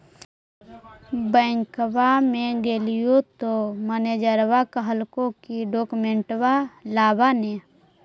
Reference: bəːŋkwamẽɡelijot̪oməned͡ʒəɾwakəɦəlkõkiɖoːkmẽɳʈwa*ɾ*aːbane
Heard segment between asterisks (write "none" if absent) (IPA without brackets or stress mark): l